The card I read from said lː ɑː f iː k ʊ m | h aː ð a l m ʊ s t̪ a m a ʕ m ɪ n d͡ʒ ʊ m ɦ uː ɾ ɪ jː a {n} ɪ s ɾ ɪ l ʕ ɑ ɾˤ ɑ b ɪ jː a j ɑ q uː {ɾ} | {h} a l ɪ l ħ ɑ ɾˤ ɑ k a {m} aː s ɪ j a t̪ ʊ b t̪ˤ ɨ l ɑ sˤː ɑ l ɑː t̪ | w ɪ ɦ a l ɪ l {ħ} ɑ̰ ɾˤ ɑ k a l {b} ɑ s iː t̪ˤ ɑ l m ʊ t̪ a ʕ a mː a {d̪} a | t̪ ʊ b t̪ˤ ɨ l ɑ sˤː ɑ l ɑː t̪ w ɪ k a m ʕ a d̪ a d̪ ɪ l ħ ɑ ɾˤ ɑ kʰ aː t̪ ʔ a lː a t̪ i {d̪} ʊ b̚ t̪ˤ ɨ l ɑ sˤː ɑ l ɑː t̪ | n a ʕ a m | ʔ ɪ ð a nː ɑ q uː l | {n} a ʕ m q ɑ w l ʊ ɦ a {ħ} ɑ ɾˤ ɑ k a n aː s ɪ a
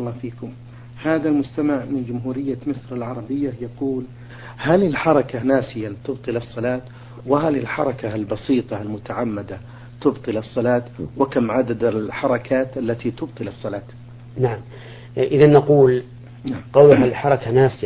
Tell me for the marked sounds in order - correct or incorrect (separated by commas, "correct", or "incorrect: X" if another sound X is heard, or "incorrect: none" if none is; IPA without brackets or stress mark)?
incorrect: m, incorrect: l, correct, incorrect: n, correct, correct, correct, incorrect: t̪, correct, correct